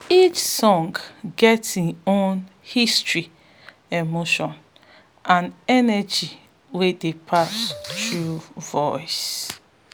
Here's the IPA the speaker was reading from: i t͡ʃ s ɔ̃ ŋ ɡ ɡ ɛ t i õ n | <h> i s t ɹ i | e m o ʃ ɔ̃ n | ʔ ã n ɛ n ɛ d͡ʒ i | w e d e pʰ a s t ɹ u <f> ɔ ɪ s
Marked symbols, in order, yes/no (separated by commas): yes, no